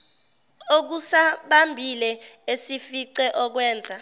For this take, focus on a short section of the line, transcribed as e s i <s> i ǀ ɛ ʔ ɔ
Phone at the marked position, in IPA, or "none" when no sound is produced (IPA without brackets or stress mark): f